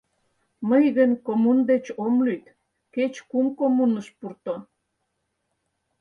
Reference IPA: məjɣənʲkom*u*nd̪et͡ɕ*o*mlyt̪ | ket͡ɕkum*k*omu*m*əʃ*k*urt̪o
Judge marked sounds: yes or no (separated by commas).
yes, yes, yes, no, no